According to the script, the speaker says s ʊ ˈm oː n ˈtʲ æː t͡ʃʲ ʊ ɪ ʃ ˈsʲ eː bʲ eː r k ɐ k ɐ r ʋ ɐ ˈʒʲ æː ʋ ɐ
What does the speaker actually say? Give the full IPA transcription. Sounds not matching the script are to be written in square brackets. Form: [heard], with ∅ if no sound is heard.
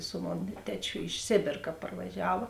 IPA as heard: s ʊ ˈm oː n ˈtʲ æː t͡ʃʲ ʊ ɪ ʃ ˈsʲ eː bʲ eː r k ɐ [p] ɐ r ʋ ɐ ˈʒʲ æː ʋ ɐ